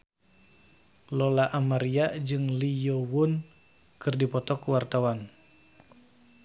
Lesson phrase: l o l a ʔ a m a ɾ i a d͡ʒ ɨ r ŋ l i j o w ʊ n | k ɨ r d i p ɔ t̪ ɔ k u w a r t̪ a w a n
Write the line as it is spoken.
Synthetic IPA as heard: l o l a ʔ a m a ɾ i a d͡ʒ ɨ ŋ l i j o w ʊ n | k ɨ r d i p ɔ t̪ ɔ k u w a r t̪ a w a n